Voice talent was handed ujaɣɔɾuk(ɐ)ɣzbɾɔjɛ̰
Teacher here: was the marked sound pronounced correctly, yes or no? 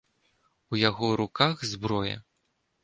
no